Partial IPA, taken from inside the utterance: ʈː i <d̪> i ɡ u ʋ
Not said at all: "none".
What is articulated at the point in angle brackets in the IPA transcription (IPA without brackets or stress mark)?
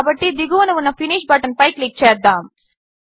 d̪